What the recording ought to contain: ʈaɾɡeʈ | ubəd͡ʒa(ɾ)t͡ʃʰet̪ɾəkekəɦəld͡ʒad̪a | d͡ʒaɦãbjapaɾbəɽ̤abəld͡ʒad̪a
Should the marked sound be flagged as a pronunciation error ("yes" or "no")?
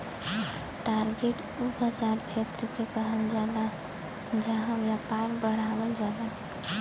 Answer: no